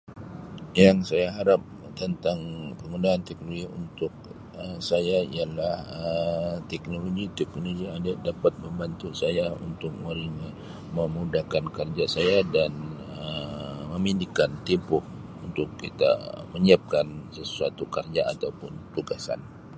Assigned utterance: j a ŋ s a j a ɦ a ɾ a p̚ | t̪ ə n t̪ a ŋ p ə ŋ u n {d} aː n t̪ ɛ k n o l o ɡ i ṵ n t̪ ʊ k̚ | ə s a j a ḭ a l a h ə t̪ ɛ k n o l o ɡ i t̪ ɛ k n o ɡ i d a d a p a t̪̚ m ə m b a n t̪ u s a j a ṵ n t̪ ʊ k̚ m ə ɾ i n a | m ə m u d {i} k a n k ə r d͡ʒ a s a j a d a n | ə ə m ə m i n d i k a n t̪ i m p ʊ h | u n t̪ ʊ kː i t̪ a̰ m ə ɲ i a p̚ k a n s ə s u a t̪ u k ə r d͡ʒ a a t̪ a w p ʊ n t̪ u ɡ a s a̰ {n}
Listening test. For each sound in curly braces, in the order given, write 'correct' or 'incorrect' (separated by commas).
correct, incorrect, correct